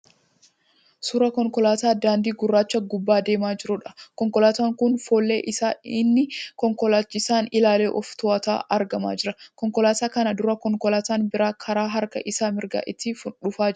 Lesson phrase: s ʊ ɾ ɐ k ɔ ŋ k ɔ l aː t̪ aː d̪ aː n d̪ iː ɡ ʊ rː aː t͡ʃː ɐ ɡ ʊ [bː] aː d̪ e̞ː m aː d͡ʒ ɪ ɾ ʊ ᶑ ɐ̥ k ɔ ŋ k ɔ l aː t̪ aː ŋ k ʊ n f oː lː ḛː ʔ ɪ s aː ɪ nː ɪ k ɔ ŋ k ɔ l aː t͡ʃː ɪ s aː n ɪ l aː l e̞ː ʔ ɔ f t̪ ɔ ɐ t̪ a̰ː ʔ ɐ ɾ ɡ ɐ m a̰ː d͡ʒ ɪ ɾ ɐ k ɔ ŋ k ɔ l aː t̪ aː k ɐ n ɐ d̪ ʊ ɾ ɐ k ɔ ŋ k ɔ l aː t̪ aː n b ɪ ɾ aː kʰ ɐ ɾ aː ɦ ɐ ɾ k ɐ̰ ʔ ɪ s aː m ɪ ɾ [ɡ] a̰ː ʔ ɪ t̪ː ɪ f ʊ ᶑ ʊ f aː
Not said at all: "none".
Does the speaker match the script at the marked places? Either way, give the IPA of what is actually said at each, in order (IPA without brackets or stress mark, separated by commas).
bː, ɡ